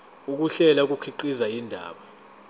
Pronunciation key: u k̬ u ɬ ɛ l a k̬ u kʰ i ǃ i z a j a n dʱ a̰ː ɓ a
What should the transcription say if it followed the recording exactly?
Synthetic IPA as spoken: u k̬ u ɬ ɛ l a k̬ u kʰ i ǃ i z a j i n dʱ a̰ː ɓ a